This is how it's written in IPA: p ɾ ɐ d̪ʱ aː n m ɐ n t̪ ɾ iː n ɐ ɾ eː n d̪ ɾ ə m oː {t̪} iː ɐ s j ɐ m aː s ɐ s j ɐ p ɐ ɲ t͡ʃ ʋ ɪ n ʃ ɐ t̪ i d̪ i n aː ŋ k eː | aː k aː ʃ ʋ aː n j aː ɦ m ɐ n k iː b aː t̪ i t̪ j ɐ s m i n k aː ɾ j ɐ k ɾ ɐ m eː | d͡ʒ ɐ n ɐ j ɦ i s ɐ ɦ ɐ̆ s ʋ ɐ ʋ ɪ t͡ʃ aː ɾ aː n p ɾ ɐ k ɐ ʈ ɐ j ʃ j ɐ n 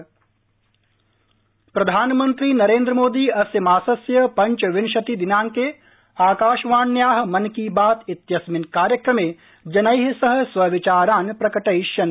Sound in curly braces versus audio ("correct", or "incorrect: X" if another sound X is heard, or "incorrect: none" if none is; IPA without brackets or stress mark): incorrect: d̪